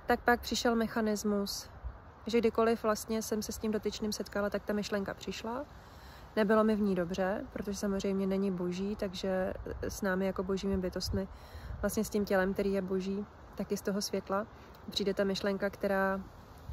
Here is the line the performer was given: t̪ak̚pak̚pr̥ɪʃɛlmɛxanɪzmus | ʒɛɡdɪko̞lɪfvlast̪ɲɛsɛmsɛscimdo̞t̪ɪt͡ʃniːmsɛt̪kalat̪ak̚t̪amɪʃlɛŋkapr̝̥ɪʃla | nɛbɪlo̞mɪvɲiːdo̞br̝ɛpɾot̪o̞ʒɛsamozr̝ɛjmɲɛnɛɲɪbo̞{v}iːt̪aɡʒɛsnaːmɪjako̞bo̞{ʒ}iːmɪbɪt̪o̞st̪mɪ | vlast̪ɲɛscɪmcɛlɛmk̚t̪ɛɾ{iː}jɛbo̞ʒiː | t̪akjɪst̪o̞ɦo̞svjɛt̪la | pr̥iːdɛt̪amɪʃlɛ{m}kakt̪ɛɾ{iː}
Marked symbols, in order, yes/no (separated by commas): no, yes, yes, no, no